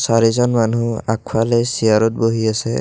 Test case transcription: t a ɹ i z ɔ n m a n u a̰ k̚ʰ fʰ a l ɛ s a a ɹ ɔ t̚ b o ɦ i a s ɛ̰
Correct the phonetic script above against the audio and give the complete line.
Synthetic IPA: s a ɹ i z ɔ n m a n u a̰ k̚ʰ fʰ a l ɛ s i a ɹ ɔ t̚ b o ɦ i a s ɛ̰